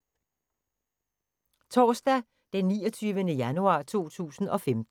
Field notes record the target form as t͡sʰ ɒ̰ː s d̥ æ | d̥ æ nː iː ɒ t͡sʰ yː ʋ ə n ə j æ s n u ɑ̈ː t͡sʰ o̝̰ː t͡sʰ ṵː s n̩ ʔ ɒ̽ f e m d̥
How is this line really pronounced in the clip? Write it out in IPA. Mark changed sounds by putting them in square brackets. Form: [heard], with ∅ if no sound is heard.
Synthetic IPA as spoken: t͡sʰ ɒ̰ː s d̥ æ | d̥ [e] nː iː ɒ t͡sʰ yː ʋ ə n ə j æ [∅] n u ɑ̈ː t͡sʰ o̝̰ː t͡sʰ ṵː s n̩ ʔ ɒ̽ f e m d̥